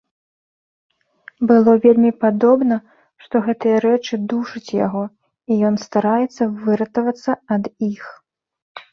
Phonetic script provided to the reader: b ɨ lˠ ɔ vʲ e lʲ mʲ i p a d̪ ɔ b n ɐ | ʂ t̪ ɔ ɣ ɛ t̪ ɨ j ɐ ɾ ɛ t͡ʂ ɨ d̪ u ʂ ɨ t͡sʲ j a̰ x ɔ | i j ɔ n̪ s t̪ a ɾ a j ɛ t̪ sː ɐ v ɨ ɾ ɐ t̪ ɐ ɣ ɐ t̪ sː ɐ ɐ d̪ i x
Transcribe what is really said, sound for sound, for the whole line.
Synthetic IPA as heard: b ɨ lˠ ɔ vʲ e lʲ mʲ i p a d̪ ɔ b n ɐ | ʂ t̪ ɔ ɣ ɛ t̪ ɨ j ɐ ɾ ɛ t͡ʂ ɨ d̪ u ʂ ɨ t͡sʲ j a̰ ɣ ɔ | i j ɔ n̪ s t̪ a ɾ a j ɛ t̪ sː ɐ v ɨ ɾ ɐ t̪ ɐ v ɐ t̪ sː ɐ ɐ d̪ i x